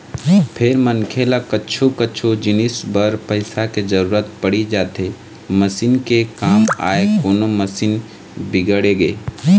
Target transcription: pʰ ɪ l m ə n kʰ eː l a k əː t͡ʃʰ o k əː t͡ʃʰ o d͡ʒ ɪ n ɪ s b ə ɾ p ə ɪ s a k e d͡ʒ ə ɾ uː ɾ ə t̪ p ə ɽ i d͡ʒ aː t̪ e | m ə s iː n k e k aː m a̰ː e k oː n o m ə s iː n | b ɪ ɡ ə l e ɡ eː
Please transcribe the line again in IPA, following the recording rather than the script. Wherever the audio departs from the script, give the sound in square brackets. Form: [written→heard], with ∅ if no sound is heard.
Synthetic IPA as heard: pʰ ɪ [l→ɾ] m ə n kʰ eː l a k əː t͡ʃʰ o k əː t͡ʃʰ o d͡ʒ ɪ n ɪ s b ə ɾ p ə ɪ s a k e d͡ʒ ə ɾ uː ɾ ə t̪ p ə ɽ i d͡ʒ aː t̪ e | m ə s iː n k e k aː m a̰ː e k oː n o m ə s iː n | b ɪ ɡ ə [l→ɽ] e ɡ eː